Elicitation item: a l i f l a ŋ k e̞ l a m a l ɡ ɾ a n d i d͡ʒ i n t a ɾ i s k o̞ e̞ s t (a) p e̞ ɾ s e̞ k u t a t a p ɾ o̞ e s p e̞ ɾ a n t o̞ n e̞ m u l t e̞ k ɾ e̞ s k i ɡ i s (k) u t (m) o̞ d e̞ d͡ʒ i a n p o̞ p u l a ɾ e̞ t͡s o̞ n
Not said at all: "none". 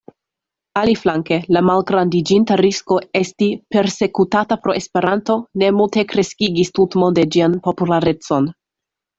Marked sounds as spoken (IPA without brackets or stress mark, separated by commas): i, t, m